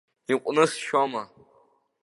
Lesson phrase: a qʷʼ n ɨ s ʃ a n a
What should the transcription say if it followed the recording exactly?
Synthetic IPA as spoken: i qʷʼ n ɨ s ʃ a m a